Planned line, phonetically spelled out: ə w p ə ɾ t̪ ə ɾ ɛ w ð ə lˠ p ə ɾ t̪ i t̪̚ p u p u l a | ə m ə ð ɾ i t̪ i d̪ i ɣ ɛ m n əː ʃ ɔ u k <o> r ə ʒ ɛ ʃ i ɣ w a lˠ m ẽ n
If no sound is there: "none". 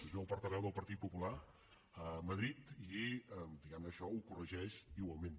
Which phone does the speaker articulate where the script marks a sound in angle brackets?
u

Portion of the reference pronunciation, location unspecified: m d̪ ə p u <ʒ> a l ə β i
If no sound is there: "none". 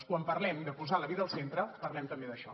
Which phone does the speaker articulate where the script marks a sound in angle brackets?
z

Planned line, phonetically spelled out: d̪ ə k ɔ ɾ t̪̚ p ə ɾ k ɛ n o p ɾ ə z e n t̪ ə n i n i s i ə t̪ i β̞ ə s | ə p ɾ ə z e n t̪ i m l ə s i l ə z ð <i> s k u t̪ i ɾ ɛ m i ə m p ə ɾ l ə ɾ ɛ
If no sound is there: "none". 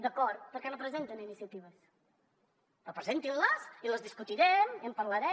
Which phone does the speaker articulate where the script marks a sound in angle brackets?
i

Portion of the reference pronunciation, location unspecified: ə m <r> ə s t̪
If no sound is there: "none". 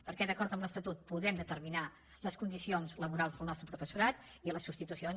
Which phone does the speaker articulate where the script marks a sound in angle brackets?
l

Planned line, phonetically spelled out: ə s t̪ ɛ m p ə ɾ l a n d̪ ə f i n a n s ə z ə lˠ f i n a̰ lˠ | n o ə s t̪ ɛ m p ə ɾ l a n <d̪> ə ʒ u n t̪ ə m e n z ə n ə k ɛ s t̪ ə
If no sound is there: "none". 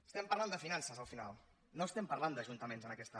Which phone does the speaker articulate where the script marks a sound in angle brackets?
d̪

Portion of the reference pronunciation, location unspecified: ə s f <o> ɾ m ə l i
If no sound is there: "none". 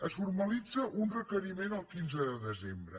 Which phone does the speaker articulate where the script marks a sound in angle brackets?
u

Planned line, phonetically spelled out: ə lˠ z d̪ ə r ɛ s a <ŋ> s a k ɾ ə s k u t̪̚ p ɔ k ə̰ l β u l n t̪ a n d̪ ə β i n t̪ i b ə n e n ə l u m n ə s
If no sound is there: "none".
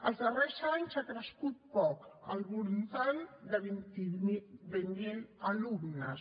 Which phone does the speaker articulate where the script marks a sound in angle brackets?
ɲ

